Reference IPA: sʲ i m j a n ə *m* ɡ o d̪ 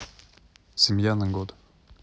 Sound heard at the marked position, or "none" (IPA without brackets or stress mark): ŋ